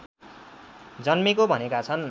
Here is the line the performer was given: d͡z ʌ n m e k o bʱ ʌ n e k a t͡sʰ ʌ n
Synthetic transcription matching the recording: d͡z ʌ n m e k o bʱ ʌ n e k a t͡sʰ ʌ n